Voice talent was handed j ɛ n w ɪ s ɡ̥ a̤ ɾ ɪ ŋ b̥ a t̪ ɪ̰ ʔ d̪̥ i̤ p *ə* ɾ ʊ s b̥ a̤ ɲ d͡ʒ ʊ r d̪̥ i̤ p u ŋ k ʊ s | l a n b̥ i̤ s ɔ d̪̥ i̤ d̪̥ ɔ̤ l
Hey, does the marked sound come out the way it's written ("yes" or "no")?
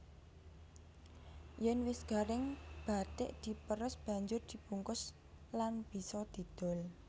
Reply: yes